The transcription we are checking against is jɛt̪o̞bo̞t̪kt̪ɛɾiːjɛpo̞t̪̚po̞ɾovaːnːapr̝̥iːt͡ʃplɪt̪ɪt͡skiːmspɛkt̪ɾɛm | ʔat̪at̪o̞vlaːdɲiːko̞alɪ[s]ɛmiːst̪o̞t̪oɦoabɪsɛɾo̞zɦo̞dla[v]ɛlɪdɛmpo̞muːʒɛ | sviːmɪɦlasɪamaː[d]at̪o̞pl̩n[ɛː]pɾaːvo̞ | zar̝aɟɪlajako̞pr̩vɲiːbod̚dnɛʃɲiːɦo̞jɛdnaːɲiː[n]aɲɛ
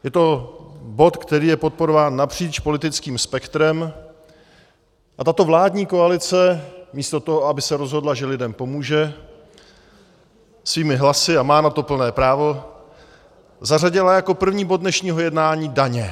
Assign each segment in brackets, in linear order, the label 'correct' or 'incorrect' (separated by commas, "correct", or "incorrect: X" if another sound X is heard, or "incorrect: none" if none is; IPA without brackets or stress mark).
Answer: incorrect: t͡s, incorrect: ʒ, incorrect: n, correct, incorrect: d